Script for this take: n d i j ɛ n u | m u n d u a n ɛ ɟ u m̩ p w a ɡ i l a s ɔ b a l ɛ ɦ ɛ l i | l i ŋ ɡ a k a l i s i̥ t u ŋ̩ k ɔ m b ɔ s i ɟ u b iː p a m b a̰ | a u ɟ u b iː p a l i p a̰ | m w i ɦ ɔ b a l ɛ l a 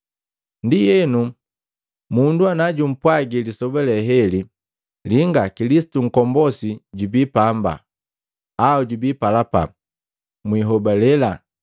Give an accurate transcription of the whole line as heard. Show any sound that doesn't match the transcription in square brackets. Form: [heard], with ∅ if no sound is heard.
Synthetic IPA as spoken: n d i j ɛ n u | m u n d u a n [a] ɟ u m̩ p w a ɡ i l [i] s ɔ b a l ɛ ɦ ɛ l i | l i ŋ ɡ a k [i] l i s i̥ t u ŋ̩ k ɔ m b ɔ s i ɟ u b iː p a m b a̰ | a u ɟ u b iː p a l [a] p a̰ | m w i ɦ ɔ b a l ɛ l a